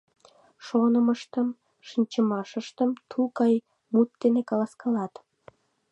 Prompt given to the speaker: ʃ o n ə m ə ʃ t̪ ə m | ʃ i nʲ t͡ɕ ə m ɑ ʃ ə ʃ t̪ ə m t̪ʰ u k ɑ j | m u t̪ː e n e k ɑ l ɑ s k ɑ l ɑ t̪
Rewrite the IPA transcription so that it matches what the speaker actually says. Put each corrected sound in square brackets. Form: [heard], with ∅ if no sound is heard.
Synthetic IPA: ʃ o n ə m ə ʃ t̪ ə m | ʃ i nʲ t͡ɕ ə m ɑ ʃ ə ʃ t̪ ə m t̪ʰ u k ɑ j | m u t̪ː e n e k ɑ l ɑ s k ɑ l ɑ t̪